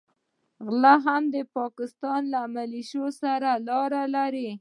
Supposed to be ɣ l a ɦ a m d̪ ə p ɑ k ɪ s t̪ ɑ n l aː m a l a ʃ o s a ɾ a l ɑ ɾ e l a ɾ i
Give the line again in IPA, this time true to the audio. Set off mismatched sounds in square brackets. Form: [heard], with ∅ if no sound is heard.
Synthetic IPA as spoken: ɣ l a ɦ a m d̪ ə p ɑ k ɪ s t̪ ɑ n l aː m a l [i] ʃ o s a ɾ a l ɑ ɾ [a] l a ɾ i